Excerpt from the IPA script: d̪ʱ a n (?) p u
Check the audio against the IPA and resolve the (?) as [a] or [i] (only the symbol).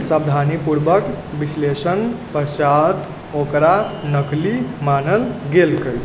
i